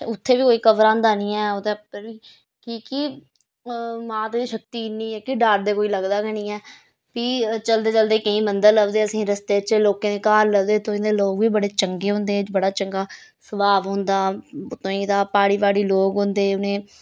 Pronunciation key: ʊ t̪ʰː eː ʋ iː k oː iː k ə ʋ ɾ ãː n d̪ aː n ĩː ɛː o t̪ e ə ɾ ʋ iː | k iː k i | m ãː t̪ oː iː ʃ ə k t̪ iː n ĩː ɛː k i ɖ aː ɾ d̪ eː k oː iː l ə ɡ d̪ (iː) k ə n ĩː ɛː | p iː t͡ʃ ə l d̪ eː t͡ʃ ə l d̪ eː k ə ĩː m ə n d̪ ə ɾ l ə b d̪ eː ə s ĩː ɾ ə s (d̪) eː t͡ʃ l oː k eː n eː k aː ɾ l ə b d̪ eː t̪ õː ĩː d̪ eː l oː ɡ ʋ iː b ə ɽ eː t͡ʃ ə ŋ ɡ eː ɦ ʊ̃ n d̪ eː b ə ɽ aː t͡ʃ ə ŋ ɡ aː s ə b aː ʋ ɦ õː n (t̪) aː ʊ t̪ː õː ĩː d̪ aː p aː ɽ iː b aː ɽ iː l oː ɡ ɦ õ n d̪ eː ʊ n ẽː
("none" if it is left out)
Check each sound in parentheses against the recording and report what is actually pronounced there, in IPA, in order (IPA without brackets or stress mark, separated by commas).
aː, t̪, d̪